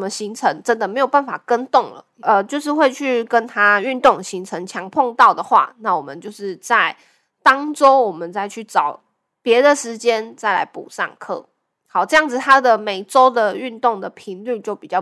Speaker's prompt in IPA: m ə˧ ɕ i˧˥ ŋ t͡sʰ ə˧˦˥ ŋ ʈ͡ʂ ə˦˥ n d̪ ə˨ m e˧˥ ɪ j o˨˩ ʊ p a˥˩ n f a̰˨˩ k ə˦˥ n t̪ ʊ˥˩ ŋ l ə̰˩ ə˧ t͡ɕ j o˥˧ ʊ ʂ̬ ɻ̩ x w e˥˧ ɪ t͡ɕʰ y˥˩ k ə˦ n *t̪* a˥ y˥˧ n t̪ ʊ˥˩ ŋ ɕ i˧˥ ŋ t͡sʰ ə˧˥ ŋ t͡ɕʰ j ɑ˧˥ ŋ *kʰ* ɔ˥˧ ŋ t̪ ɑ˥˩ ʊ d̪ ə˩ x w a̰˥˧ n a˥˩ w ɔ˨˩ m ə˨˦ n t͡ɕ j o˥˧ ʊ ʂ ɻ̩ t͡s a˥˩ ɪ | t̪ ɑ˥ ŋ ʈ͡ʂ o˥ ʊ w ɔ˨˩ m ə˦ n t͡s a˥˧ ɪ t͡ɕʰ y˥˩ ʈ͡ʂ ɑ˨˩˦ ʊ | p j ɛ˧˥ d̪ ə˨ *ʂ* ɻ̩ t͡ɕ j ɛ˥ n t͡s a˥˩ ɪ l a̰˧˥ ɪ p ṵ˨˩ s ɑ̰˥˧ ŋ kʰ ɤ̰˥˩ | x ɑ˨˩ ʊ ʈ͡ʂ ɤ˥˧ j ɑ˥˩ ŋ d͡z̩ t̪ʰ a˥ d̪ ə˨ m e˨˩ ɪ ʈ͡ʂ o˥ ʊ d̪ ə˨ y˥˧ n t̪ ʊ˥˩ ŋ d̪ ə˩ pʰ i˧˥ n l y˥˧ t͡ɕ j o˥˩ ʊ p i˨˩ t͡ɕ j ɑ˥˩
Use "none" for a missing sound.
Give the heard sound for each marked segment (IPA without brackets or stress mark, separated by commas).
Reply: t̪ʰ, pʰ, ʂ